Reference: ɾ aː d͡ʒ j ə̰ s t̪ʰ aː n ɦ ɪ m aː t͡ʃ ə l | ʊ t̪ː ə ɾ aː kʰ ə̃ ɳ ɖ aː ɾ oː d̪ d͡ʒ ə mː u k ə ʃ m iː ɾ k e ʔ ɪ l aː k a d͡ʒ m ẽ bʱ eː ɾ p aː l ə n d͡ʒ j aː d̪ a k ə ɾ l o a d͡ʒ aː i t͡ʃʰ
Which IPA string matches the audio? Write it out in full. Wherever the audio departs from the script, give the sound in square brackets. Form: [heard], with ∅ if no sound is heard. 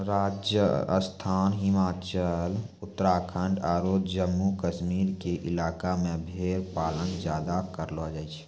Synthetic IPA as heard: ɾ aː d͡ʒ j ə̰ s t̪ʰ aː n ɦ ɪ m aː t͡ʃ ə l | ʊ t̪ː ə ɾ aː kʰ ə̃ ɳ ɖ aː ɾ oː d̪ d͡ʒ ə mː u k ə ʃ m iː ɾ k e ʔ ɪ l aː k a [∅] m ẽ bʱ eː ɾ p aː l ə n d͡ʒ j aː d̪ a k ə ɾ l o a d͡ʒ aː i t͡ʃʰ